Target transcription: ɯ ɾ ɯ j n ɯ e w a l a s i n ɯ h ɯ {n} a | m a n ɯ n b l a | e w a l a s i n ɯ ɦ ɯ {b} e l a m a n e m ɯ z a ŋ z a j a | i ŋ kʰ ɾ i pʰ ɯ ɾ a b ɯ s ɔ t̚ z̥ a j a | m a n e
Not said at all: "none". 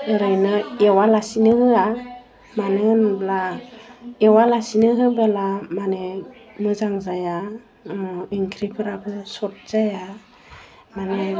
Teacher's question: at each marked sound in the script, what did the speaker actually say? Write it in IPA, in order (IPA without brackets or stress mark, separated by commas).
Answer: none, b